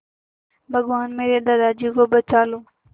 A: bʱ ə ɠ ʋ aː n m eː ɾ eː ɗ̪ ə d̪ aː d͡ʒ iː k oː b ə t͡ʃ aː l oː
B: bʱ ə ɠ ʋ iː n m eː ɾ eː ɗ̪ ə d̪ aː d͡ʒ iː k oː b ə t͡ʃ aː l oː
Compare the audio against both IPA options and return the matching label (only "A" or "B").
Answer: A